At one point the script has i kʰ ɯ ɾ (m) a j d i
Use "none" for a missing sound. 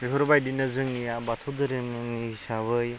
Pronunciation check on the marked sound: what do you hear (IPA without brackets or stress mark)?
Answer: b